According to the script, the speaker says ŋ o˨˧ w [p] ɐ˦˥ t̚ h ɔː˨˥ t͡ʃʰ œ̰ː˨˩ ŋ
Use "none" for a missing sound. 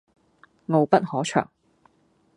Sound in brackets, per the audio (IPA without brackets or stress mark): p